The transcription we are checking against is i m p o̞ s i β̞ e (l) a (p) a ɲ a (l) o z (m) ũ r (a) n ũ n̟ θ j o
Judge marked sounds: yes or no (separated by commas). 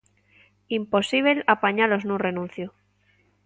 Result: yes, yes, yes, no, no